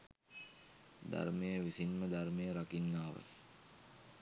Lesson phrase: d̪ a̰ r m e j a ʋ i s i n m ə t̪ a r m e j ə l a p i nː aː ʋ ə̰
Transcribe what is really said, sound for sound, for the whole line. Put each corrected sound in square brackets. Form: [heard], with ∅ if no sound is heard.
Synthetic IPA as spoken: d̪ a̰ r m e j [ə] ʋ i s i n m ə [d̪] a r m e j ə [ɾ] a [k] i nː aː ʋ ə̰

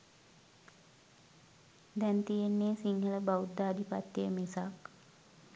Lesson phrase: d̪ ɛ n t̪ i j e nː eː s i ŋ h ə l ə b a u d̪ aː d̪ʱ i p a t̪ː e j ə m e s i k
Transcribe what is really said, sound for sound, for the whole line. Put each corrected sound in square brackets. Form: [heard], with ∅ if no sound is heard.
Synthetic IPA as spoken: d̪ ɛ n t̪ i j e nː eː s i ŋ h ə l ə b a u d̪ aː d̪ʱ i p a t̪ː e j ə m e s [a] k

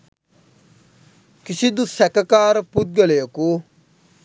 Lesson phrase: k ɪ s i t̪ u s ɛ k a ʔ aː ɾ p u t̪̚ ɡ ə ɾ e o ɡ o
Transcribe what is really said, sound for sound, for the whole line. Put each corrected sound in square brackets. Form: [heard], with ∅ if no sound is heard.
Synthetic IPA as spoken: k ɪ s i [d̪] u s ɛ k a [k] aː ɾ p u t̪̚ ɡ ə [l] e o [k] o

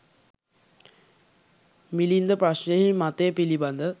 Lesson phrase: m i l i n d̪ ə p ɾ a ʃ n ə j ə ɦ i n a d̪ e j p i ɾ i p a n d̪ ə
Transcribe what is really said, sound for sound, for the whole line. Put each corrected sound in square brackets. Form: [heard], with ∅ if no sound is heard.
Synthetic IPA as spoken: m i l i n d̪ ə p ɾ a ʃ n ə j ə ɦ i [m] a [t̪] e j p i [l] i [b] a n d̪ ə

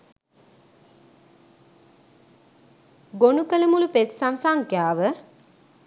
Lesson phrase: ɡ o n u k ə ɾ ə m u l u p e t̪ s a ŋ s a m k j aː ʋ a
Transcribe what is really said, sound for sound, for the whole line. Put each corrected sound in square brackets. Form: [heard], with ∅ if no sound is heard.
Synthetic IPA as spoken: ɡ o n u k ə [l] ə m u l u p e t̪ s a [m] s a [ŋ] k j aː ʋ [ə]

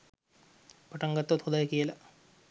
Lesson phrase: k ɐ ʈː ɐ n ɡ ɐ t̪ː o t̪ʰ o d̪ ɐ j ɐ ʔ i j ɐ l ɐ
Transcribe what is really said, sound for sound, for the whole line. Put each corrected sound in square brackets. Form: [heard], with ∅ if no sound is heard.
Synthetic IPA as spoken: [p] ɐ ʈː ɐ [ŋ] ɡ ɐ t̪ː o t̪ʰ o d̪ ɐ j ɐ [k] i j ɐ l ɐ

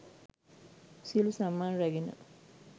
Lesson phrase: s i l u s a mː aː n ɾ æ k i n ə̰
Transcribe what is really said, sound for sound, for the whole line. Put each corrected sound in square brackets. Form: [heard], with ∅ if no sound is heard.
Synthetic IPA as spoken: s i l u s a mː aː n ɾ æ [ɡ] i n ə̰

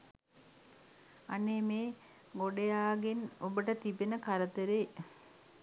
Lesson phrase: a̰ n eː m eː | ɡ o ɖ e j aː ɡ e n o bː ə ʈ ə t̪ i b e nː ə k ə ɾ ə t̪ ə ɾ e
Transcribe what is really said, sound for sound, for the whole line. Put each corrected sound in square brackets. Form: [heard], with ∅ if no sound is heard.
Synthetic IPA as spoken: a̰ n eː m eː | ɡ o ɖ e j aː ɡ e n o [b] ə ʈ ə t̪ i b e [n] ə k [a] ɾ ə t̪ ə ɾ e

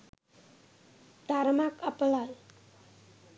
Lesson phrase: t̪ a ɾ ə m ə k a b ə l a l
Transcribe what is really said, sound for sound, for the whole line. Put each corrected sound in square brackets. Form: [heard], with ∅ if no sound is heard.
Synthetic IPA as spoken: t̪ a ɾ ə m [a] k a [p] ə l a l

